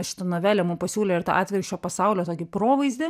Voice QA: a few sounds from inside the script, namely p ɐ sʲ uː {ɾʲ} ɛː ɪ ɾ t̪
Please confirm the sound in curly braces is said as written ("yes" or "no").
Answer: no